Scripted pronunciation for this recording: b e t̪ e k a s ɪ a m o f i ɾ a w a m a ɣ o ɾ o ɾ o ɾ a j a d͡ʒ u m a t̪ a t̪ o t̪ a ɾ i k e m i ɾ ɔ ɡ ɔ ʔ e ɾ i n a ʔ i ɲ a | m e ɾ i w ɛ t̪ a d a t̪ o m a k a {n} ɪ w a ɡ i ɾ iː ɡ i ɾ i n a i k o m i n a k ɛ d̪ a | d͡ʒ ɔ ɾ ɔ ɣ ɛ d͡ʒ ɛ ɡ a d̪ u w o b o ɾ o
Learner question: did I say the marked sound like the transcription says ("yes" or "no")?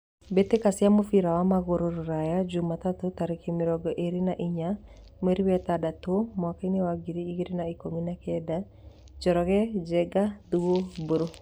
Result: yes